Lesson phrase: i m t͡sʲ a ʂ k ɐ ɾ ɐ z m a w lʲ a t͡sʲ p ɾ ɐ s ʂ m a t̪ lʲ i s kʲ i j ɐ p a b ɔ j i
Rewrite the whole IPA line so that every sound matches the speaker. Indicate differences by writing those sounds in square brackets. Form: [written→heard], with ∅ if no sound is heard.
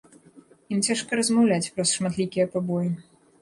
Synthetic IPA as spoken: i m t͡sʲ a ʂ k ɐ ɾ ɐ z m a w lʲ a t͡sʲ p ɾ ɐ s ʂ m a t̪ lʲ i [s→∅] kʲ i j ɐ p a b ɔ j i